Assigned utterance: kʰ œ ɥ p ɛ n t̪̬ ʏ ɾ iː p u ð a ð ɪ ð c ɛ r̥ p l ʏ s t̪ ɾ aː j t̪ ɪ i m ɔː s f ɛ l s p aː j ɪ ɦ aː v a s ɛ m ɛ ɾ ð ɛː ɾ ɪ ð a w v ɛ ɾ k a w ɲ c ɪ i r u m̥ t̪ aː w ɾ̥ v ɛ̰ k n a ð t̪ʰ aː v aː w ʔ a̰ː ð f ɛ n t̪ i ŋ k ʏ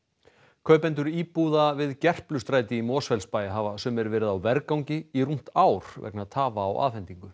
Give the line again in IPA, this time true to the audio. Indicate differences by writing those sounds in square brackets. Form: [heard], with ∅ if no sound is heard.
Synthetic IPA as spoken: kʰ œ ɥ p ɛ n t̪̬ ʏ ɾ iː p u ð a [v] ɪ ð c ɛ r̥ p l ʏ s t̪ ɾ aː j t̪ ɪ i m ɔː s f ɛ l s p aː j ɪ ɦ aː v a s ɛ m ɛ ɾ [v] ɛː ɾ ɪ ð a w v ɛ ɾ k a w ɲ c ɪ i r u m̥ t̪ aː w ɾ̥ v ɛ̰ k n a ð t̪ʰ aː v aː w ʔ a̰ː ð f ɛ n t̪ i ŋ k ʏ